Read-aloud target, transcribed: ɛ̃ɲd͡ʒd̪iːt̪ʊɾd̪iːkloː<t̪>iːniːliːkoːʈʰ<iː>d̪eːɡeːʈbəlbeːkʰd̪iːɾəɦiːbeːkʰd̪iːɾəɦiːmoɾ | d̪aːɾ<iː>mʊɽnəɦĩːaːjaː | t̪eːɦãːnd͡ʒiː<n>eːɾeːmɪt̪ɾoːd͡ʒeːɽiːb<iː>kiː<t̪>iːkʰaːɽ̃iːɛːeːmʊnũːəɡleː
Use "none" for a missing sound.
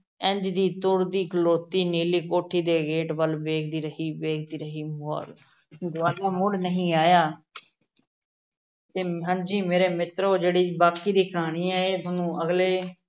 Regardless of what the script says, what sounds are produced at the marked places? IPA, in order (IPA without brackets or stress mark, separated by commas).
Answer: t̪, iː, aː, m, aː, d̪